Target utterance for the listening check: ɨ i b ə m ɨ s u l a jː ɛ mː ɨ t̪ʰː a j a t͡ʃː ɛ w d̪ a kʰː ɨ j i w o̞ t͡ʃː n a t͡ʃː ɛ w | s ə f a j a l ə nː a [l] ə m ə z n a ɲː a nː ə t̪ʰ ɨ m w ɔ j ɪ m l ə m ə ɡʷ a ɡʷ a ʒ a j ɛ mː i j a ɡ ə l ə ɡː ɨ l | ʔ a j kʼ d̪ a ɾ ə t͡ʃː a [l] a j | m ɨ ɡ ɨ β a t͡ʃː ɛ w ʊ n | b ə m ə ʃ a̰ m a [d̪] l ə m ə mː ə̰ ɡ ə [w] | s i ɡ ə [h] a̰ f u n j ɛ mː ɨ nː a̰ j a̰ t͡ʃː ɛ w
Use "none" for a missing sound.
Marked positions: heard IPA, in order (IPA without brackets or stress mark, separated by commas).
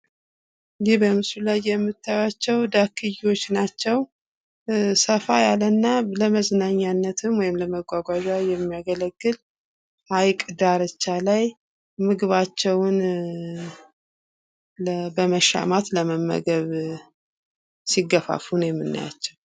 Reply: l, l, t̪, β, f